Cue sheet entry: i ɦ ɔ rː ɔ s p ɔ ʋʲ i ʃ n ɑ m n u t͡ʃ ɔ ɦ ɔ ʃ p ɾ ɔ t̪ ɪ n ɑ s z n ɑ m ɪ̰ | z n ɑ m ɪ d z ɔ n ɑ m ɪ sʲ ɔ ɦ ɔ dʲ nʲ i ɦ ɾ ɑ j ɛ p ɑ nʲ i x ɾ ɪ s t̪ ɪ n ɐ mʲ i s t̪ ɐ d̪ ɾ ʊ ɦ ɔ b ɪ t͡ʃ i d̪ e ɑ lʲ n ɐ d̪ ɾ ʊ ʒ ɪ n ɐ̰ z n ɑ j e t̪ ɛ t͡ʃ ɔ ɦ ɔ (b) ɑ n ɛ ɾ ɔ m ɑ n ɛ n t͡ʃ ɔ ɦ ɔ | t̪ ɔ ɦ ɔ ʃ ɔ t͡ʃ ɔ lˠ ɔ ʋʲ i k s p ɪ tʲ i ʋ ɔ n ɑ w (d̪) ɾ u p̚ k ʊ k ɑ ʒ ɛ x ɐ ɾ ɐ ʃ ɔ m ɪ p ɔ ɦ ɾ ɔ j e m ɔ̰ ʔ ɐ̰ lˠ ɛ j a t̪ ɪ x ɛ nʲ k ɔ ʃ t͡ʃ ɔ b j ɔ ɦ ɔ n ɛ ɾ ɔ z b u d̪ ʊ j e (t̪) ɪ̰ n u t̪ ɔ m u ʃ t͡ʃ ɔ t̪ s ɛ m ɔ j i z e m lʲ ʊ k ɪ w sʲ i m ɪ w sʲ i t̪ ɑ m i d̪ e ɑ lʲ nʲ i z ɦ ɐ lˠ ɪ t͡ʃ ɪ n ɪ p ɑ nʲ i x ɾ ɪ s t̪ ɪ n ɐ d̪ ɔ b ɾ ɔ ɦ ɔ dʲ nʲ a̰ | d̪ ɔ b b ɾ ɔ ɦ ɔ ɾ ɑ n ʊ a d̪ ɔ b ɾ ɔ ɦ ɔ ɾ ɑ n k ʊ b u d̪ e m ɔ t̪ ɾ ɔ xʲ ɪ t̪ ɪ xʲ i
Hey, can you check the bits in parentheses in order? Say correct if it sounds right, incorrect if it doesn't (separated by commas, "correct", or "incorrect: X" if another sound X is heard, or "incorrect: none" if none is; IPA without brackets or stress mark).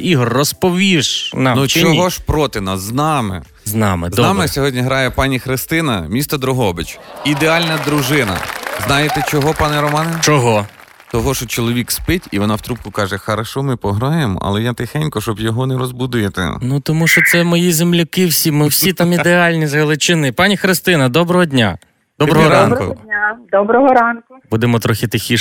incorrect: p, incorrect: t̪, correct